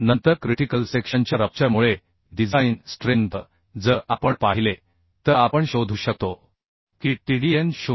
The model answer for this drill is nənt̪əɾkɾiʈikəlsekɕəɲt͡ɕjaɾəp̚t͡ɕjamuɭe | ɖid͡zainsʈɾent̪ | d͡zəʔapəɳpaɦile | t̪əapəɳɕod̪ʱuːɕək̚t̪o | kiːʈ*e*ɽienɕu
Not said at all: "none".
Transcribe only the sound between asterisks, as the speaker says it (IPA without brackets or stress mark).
i